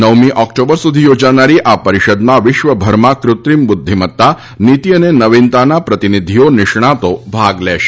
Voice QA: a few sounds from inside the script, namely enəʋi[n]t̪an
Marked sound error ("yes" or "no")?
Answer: no